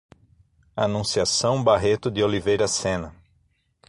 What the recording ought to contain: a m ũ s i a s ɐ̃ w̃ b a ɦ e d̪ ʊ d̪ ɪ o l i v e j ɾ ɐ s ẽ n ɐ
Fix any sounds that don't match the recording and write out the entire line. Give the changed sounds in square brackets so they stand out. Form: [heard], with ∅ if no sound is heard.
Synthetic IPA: a [n] ũ s i a s ɐ̃ w̃ b a ɦ e [t̪] ʊ d̪ ɪ o l i v e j ɾ ɐ s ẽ n ɐ